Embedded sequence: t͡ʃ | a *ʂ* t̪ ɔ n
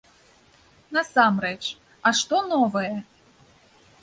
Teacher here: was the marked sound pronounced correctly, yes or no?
yes